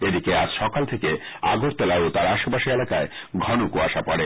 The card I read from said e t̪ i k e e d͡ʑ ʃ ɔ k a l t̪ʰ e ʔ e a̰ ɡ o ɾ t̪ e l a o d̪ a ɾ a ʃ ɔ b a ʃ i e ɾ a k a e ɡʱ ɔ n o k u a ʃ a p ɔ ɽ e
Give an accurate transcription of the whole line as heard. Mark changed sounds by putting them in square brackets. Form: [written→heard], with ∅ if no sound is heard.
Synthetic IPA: e [t̪→d̪] i k e [e→a] d͡ʑ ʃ ɔ k a l t̪ʰ e [ʔ→k] e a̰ ɡ o ɾ t̪ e l a o [d̪→t̪] a ɾ a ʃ [ɔ→o] b a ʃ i e [ɾ→l] a k a e ɡʱ ɔ n o k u a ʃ a p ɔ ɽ e